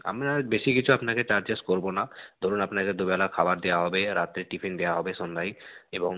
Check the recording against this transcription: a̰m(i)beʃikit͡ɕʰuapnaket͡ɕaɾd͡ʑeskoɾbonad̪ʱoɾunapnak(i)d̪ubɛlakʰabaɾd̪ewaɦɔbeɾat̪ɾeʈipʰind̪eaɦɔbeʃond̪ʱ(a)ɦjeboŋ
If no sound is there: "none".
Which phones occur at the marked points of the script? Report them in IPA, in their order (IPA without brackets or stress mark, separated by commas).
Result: a, e, a